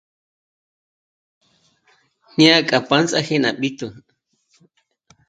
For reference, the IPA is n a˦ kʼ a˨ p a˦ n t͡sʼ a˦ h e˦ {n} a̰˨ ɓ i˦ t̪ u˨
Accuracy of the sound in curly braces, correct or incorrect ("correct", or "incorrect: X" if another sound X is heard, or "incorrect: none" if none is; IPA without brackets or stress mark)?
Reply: correct